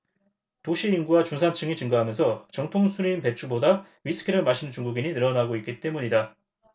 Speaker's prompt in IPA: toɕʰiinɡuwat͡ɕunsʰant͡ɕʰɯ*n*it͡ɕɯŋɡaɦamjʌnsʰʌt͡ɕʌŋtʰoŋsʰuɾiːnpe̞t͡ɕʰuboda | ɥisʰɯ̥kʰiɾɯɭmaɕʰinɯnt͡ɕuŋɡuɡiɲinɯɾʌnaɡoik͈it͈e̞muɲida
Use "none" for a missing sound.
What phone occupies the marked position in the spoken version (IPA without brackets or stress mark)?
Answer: ŋ